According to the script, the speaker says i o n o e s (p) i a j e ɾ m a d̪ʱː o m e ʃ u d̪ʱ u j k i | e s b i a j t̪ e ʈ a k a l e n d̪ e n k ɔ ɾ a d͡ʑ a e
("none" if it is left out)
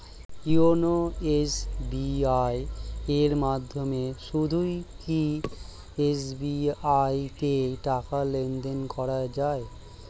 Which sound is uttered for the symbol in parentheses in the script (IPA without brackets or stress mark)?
b